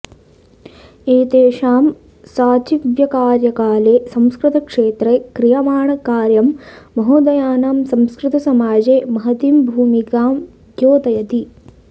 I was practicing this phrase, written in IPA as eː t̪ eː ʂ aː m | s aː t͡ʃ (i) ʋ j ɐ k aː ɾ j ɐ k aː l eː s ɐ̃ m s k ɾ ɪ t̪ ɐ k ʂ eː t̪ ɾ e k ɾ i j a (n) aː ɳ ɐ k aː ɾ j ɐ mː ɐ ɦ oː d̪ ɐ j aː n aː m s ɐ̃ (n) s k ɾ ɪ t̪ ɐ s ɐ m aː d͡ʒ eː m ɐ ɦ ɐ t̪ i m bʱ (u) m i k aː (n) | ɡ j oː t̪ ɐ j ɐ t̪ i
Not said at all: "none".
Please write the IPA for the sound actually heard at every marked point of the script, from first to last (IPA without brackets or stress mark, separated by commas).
i, m, m, uː, m